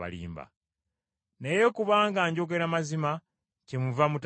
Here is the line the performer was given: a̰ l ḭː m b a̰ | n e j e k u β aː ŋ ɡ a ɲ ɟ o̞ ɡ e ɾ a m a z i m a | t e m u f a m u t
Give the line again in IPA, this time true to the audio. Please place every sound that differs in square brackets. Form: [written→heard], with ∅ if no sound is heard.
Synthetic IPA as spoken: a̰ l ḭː m b a̰ | n e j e k u β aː ŋ ɡ a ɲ ɟ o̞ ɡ e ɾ a m a z i m a | [t→c] e m u [f→v] a m u t